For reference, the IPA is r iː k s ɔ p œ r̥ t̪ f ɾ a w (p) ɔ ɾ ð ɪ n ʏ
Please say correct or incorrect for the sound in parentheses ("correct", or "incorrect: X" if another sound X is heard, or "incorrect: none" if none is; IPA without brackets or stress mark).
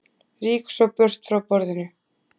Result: correct